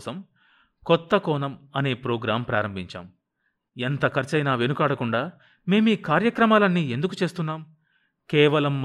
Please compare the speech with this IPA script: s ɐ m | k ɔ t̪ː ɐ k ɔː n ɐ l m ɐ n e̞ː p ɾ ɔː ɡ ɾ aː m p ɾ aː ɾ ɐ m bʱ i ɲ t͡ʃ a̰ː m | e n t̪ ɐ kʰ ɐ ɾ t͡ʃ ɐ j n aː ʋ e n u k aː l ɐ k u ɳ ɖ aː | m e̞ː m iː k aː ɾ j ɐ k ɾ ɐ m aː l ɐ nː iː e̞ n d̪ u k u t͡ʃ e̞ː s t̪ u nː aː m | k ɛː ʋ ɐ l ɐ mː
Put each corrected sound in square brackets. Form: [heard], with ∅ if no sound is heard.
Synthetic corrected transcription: s ɐ m | k ɔ t̪ː ɐ k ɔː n ɐ [∅] m ɐ n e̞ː p ɾ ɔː ɡ ɾ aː m p ɾ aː ɾ ɐ m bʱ i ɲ t͡ʃ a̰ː m | e n t̪ ɐ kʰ ɐ ɾ t͡ʃ ɐ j n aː ʋ e n u k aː [ɽ] ɐ k u ɳ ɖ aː | m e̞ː m iː k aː ɾ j ɐ k ɾ ɐ m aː l ɐ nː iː e̞ n d̪ u k u t͡ʃ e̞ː s t̪ u nː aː m | k ɛː ʋ ɐ l ɐ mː